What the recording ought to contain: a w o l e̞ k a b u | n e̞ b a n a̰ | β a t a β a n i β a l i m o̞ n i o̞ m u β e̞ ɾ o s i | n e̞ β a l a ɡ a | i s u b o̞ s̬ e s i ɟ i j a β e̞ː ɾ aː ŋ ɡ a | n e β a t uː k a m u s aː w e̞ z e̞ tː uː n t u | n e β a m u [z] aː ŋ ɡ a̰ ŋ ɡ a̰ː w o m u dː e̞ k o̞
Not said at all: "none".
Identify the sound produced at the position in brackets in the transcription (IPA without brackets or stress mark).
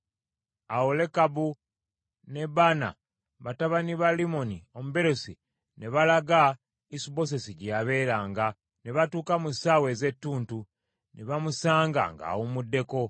s